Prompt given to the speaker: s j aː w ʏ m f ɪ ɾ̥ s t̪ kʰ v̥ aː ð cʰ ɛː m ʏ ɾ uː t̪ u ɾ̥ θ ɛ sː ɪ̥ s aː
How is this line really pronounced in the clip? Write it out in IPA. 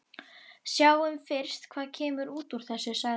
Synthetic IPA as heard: s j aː w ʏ m f ɪ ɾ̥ s t̪ kʰ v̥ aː ð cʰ ɛː m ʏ ɾ uː t̪ u ɾ̥ θ ɛ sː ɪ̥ s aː